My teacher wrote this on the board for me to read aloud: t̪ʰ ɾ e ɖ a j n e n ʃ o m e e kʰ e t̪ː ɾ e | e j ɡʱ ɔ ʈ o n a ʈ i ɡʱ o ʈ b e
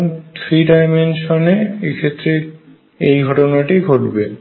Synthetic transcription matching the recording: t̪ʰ ɾ i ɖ a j m e n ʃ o n e e kʰ e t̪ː ɾ e | e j ɡʱ ɔ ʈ o n a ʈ i ɡʱ o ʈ b e